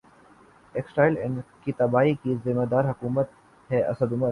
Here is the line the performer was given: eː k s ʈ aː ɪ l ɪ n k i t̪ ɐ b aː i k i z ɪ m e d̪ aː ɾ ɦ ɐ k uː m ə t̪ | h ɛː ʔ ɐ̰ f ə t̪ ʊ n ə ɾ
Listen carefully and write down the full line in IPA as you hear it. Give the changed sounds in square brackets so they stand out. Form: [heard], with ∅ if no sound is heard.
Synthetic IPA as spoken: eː k s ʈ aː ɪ l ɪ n k i t̪ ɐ b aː i k i z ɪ m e d̪ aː ɾ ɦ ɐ k uː m ə t̪ | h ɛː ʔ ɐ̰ [s] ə [d̪] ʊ [m] ə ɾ